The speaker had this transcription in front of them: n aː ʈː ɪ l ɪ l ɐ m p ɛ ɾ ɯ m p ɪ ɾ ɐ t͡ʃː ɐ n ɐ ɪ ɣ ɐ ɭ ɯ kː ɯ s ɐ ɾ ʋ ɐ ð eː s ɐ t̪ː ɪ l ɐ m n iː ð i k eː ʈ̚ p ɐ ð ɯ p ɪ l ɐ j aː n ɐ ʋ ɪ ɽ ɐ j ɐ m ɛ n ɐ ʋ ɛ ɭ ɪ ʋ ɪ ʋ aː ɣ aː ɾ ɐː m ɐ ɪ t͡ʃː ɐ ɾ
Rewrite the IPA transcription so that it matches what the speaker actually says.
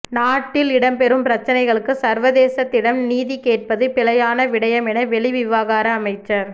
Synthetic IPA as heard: n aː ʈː ɪ l ɪ ɽ ɐ m p ɛ ɾ ɯ m p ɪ ɾ ɐ t͡ʃː ɐ n ɐ ɪ ɣ ɐ ɭ ɯ kː ɯ s ɐ ɾ ʋ ɐ ð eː s ɐ t̪ː ɪ ɽ ɐ m n iː ð i k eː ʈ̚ p ɐ ð ɯ p ɪ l ɐ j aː n ɐ ʋ ɪ ɽ ɐ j ɐ m ɛ n ɐ ʋ ɛ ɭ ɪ ʋ ɪ ʋ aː ɣ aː ɾ ɐː m ɐ ɪ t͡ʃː ɐ ɾ